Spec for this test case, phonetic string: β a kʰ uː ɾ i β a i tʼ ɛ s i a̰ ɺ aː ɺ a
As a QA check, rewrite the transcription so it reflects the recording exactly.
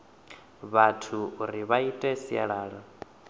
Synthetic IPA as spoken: β a tʰ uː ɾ i β a i tʼ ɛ s i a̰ ɺ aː ɺ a